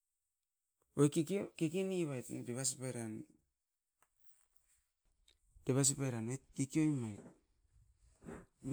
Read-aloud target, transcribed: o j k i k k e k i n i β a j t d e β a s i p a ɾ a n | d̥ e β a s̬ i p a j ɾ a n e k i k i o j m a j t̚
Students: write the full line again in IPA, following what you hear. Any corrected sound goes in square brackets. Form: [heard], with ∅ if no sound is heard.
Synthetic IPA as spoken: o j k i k k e k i n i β a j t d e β a s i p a ɾ a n | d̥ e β a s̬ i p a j ɾ a n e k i k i o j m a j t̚